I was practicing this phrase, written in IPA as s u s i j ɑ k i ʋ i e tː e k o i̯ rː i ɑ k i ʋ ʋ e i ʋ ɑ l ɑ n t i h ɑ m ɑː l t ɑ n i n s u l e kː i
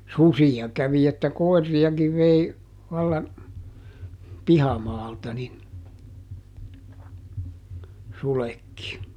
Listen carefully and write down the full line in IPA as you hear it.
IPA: s u s i j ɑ k æ ʋ i e tː æ k o i̯ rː i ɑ k i ʋ ʋ e i ʋ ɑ lː ɑ n p i h ɑ m ɑː l t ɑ n i n s u l e kː i